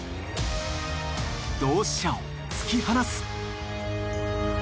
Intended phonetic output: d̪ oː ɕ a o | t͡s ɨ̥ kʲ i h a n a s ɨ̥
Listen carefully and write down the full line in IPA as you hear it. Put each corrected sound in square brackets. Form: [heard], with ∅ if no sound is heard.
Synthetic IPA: d̪ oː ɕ a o | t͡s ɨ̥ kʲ i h a n a s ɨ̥